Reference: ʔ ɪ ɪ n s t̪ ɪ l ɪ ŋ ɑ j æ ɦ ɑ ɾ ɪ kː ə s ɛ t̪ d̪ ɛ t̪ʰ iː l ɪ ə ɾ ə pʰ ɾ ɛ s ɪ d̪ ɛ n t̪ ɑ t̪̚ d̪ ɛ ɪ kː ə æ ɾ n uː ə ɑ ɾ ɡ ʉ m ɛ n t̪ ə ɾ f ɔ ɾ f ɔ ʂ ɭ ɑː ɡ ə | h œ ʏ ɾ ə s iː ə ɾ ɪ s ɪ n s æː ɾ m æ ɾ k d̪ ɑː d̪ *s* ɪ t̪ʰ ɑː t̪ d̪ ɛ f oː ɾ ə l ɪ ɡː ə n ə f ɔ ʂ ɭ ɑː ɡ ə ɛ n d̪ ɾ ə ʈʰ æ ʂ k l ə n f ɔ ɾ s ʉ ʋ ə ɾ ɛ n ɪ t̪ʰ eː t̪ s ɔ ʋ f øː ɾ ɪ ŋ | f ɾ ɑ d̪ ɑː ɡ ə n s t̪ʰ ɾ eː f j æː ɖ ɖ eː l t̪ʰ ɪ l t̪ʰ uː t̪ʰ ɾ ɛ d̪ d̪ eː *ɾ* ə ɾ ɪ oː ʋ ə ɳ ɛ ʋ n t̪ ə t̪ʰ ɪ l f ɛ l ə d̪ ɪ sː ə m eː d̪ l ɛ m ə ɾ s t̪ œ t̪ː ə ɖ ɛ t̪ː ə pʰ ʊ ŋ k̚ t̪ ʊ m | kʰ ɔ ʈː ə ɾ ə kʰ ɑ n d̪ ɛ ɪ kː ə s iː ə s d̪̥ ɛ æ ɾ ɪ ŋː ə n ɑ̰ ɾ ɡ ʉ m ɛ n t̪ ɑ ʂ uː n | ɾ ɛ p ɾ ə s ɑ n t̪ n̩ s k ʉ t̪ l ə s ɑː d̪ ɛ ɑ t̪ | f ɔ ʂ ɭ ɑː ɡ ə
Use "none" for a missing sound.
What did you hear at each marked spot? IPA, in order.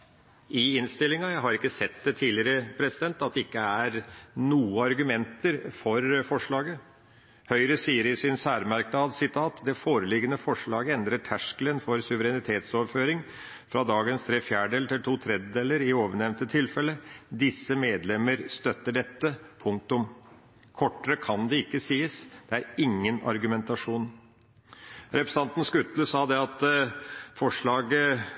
s, l

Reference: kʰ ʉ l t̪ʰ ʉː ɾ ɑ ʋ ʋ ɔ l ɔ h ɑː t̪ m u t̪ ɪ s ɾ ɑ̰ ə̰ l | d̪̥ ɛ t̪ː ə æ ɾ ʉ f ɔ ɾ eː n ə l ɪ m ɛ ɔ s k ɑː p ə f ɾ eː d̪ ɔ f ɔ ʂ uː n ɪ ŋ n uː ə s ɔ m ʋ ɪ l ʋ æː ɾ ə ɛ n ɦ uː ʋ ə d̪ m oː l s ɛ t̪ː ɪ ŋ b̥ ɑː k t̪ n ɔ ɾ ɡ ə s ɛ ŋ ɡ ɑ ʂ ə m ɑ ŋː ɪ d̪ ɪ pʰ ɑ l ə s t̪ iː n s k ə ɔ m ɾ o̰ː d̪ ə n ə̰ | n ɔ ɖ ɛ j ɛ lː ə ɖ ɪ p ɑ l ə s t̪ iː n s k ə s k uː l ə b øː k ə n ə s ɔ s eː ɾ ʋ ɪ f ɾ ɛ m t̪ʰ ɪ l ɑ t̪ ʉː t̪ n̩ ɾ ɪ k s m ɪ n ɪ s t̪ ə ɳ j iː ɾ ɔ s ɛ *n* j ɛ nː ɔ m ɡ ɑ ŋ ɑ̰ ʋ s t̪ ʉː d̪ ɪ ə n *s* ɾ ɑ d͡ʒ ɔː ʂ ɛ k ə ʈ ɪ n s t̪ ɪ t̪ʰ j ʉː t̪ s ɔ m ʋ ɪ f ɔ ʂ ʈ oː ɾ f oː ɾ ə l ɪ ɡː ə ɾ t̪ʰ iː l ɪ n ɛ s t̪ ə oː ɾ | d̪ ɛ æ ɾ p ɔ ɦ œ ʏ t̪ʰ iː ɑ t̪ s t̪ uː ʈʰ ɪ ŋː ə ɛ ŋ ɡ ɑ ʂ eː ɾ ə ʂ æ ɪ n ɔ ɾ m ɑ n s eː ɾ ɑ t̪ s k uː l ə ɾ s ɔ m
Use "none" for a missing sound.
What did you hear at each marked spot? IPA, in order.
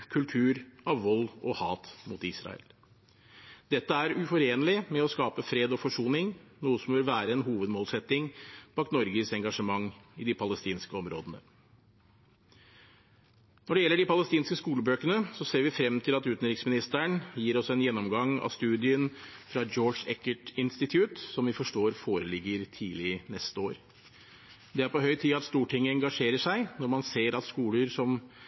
n, f

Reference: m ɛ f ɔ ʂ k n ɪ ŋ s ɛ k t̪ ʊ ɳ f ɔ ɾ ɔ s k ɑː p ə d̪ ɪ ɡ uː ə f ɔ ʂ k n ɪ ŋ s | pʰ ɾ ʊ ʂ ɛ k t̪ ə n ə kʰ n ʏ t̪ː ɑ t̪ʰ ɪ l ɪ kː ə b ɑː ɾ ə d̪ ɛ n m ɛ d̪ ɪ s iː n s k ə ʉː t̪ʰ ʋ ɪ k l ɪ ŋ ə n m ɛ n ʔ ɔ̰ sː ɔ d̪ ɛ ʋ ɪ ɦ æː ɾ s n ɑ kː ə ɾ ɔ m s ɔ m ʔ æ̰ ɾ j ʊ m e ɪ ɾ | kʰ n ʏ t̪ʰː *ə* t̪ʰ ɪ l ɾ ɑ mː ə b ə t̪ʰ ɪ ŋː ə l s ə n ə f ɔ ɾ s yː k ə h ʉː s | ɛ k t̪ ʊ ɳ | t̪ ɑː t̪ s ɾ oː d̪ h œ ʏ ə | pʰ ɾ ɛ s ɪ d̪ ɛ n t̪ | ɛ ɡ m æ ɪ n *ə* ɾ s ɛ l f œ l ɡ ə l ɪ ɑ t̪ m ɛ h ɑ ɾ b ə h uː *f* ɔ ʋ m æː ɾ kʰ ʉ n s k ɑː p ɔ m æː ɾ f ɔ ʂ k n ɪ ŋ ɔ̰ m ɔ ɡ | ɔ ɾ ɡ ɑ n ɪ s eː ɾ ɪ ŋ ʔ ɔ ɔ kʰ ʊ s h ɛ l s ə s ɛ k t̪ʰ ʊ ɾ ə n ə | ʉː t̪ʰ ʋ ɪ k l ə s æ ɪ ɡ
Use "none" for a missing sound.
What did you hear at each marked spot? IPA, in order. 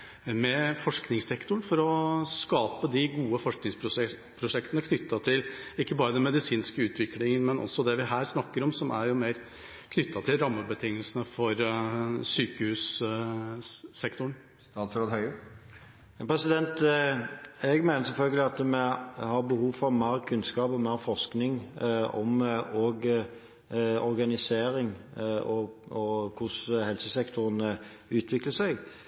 ɑ, ə, f

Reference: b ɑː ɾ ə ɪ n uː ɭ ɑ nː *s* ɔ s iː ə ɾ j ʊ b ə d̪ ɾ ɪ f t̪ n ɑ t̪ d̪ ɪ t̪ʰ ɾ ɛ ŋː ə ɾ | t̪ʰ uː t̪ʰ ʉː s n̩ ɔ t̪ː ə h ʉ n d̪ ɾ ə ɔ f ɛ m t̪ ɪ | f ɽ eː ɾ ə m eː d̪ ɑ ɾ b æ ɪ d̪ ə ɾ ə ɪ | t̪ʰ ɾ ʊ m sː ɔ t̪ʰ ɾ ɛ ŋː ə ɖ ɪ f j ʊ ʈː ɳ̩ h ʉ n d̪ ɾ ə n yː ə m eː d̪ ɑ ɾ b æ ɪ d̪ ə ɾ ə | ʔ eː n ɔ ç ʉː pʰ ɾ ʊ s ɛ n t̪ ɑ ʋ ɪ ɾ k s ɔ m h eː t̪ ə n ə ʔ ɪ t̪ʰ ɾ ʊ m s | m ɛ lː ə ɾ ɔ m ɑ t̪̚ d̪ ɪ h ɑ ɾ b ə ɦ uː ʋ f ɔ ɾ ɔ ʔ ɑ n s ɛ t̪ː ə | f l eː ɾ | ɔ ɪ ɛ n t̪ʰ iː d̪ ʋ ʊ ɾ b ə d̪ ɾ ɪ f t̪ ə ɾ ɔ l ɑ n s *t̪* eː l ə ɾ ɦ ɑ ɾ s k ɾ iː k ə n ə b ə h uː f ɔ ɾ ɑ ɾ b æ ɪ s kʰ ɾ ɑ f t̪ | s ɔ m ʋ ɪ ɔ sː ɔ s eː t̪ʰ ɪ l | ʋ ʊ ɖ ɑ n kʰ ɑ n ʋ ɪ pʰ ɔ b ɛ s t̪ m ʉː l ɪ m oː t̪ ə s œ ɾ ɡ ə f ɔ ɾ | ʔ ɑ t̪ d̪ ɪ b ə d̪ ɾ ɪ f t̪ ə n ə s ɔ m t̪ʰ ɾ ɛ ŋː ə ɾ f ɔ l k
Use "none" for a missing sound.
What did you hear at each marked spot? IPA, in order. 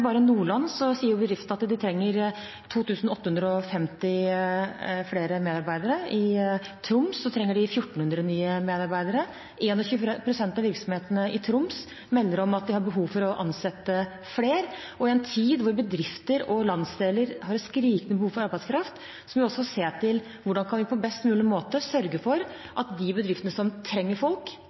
s, d̪

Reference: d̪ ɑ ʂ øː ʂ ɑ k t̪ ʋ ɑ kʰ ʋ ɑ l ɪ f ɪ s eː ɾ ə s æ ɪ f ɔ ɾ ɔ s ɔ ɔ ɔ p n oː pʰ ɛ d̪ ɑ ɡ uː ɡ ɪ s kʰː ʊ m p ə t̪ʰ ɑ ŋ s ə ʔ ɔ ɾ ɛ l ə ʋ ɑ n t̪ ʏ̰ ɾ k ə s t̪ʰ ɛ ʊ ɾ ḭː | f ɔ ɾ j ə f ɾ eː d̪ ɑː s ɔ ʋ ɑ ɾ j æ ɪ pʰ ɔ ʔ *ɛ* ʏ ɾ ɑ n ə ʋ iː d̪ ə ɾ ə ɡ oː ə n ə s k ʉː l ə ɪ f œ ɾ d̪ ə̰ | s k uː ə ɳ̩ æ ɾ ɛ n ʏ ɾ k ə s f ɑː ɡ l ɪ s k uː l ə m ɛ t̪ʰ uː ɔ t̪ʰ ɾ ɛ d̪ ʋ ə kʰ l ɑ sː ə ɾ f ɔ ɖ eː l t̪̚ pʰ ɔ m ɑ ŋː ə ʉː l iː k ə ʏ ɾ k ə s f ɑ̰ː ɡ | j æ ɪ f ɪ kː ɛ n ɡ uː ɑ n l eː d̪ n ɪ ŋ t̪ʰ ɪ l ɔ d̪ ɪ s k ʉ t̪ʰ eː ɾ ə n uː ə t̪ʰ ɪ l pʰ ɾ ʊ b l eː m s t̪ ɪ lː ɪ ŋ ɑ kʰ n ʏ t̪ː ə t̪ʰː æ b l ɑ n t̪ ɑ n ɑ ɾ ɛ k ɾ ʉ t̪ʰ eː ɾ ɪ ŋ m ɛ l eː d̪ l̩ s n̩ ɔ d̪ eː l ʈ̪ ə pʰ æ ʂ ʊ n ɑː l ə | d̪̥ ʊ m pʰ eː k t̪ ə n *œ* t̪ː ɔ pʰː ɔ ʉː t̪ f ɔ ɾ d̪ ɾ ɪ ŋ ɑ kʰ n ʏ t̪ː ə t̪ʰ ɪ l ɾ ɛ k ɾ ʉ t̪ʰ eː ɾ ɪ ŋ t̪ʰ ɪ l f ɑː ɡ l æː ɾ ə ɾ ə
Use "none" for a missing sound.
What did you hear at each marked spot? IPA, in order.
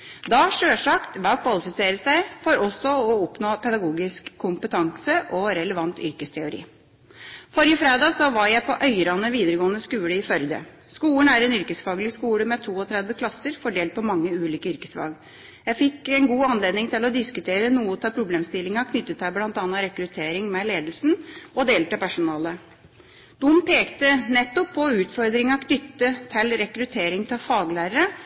œ, ɛ

